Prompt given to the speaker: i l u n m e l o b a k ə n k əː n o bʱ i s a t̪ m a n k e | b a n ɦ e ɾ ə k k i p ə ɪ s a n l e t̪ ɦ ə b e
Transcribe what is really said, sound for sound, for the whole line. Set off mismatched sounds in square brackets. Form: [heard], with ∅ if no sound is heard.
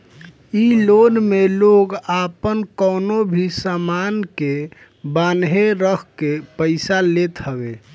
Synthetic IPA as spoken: i l [o] n m e l o [ɡ] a [p] ə n k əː n o bʱ i s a [∅] m a n k e | b a n ɦ e ɾ ə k k [e] p ə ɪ s a [∅] l e t̪ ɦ ə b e